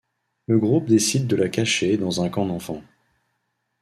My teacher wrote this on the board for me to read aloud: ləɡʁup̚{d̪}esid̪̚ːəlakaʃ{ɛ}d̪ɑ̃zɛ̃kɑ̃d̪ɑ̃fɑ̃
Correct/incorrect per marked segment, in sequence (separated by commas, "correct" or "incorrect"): correct, incorrect